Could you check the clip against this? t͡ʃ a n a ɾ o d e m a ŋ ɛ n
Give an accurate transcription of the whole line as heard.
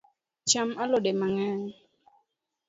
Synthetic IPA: t͡ʃ a m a l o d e m a ŋ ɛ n